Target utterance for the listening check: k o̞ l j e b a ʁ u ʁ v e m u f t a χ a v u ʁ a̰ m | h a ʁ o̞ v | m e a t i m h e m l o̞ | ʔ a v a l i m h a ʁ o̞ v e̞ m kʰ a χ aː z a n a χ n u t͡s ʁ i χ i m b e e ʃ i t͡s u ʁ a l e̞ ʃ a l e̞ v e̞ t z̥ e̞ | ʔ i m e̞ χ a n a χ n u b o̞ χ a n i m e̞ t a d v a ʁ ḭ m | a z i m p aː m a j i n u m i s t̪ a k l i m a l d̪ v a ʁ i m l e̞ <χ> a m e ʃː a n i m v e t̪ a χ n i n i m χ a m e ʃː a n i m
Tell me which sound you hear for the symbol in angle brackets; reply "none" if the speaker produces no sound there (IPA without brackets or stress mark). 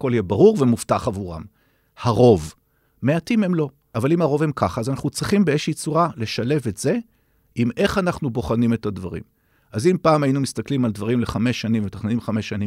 χ